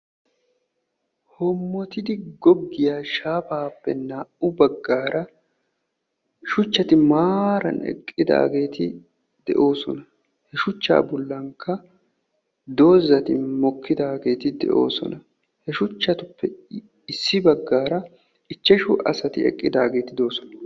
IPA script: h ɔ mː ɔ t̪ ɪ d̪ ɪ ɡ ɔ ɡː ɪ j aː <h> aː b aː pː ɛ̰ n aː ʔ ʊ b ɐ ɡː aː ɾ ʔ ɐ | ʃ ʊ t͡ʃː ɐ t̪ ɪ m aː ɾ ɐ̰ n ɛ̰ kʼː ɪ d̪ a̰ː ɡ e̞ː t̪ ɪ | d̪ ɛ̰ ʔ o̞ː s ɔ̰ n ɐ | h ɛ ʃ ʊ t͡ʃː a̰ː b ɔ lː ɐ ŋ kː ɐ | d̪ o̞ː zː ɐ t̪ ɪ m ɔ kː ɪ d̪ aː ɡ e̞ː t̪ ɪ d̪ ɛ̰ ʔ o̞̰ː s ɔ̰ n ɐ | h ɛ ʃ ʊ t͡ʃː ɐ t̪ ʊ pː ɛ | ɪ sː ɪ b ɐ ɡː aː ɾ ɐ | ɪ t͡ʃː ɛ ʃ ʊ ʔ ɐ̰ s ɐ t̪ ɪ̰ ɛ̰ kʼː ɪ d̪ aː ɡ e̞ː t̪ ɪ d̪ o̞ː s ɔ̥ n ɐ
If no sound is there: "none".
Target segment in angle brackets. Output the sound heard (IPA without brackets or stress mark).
ʃ